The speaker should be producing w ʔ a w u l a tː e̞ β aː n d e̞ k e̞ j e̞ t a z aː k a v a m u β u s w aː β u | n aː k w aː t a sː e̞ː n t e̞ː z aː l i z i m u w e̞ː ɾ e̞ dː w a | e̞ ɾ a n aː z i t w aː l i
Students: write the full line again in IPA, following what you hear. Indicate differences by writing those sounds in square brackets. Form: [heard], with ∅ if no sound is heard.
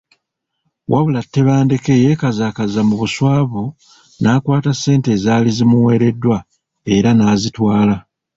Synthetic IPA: w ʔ a [β] u l a tː e̞ β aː n d e̞ k e̞ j e̞ [k] a z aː k a [z] a m u β u s w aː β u | n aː k w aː t a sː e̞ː n t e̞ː z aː l i z i m u w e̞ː ɾ e̞ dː w a | e̞ ɾ a n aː z i t w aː l [a]